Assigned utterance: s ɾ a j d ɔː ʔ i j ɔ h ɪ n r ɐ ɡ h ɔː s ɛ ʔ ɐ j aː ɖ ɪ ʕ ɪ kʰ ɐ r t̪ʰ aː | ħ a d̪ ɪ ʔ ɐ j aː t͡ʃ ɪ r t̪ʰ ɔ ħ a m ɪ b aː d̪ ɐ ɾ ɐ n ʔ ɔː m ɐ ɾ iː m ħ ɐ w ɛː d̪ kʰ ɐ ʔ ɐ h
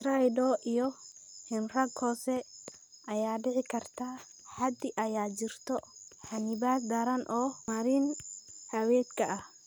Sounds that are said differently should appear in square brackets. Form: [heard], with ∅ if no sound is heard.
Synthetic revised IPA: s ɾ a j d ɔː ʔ i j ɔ h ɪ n r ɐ ɡ h ɔː s ɛ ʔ ɐ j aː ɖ ɪ ʕ ɪ kʰ ɐ r t̪ʰ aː | ħ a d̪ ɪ ʔ ɐ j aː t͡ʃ ɪ r t̪ʰ ɔ ħ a [n] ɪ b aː d̪ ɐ ɾ ɐ n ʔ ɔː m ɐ ɾ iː [n] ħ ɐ w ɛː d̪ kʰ ɐ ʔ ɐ h